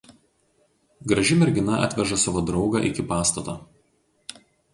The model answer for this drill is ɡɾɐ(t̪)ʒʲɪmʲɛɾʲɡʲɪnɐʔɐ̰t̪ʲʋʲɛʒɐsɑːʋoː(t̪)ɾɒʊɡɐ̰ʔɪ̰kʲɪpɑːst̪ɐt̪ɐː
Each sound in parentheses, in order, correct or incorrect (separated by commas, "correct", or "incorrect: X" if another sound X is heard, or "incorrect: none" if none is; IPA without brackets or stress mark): incorrect: none, incorrect: d̪